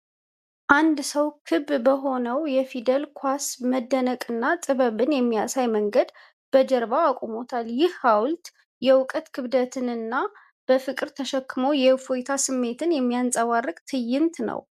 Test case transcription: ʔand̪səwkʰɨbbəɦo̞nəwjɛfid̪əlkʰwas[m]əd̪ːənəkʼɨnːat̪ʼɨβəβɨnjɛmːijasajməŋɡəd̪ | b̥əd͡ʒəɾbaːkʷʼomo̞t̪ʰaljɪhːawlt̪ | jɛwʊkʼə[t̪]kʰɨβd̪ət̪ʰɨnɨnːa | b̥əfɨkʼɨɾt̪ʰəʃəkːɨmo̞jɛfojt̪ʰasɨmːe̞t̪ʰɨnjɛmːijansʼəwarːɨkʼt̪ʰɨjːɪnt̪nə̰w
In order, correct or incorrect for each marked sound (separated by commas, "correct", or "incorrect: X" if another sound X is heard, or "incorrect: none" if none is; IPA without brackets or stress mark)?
correct, correct